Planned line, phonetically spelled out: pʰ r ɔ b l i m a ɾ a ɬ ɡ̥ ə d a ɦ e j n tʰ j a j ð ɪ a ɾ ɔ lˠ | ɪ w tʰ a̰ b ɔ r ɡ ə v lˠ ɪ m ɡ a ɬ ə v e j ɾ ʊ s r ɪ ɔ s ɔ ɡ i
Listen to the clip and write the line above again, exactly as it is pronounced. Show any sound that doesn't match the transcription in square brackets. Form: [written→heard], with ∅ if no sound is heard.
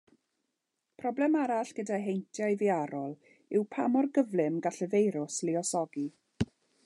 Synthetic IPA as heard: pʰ r ɔ b l [i→ɛ] m a ɾ a ɬ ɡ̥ ə d a ɦ e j n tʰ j a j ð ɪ a ɾ ɔ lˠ | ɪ w [tʰ→pʰ] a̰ [b→m] ɔ r ɡ ə v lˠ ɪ m ɡ a ɬ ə v e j ɾ ʊ s [r→l] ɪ ɔ s ɔ ɡ i